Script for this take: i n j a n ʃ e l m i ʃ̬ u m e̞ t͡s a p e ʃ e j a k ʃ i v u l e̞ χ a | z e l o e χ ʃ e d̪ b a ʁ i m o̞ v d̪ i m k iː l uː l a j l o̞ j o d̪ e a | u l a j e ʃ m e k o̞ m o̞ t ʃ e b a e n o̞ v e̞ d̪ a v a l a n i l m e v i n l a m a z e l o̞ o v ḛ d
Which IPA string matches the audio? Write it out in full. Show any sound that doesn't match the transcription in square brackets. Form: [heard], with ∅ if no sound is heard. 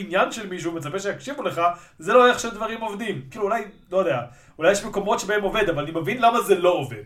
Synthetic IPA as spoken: i n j a n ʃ e l m i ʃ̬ u m e̞ t͡s a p e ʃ e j a k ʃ i v u l e̞ χ a | z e l o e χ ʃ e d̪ [v] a ʁ i m o̞ v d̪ i m k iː l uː l a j l o̞ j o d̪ e a | u l a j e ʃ m e k o̞ m o̞ t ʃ e b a e [m] o̞ v e̞ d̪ a v a l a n i [∅] m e v i n l a m a z e l o̞ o v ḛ d